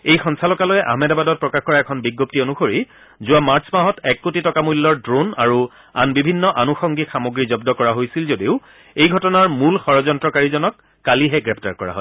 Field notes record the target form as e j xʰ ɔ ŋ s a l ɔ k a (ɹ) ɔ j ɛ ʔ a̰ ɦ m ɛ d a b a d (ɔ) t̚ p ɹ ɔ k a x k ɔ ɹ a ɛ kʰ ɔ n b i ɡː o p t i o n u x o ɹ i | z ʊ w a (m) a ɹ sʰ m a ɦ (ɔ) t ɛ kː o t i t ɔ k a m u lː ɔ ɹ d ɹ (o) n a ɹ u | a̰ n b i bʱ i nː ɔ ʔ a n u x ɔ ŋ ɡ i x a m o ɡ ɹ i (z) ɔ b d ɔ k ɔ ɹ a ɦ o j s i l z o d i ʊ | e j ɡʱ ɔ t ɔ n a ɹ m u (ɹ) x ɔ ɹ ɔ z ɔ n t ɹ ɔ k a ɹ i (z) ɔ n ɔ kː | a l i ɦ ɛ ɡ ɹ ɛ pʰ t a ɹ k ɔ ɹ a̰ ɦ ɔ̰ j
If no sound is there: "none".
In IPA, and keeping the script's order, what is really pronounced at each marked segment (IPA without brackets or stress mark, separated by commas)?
l, ɔ, m, ɔ, o, z, l, z